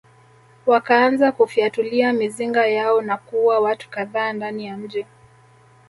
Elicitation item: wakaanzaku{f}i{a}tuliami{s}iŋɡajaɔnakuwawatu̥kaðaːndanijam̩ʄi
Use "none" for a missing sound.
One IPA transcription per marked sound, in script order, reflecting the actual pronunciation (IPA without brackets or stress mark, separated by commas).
f, a, z